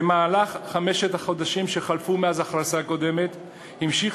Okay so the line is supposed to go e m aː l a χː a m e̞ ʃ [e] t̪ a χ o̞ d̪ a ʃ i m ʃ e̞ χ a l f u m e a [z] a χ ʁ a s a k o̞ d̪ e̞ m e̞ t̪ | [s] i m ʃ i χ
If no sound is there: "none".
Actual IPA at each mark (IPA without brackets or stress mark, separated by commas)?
e, z, h